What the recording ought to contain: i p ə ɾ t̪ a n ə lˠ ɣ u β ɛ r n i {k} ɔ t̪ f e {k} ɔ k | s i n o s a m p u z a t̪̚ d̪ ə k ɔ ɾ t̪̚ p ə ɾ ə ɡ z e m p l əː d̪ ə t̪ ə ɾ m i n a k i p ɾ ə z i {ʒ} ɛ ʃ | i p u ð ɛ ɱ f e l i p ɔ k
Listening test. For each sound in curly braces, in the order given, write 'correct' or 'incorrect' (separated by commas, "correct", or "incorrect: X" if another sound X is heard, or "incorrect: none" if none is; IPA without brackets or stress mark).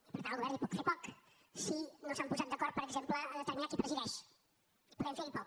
incorrect: p, incorrect: p, incorrect: ð